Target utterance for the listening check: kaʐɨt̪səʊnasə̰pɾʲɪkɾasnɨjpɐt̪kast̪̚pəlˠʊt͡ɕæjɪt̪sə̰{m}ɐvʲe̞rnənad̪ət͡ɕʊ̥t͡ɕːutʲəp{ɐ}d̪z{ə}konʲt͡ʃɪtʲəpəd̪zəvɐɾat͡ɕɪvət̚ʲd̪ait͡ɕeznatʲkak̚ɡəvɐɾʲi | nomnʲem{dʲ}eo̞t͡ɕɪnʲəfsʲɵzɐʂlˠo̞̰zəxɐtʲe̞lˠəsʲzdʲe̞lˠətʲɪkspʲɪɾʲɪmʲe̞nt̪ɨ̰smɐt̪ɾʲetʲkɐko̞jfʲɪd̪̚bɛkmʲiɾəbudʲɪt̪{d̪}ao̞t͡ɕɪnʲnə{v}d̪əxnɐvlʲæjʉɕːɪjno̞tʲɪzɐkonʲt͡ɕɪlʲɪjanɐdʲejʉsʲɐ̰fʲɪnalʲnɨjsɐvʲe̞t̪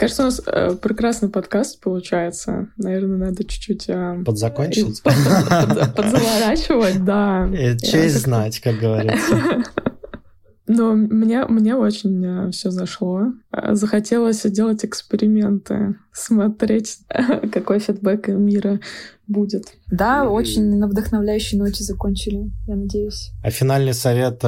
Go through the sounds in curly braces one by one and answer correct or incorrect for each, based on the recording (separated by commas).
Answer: incorrect, incorrect, incorrect, incorrect, correct, correct